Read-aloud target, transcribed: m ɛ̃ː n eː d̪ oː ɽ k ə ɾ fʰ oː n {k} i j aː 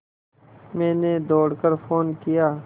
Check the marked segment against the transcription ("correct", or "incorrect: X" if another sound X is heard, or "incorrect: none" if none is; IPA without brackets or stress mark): correct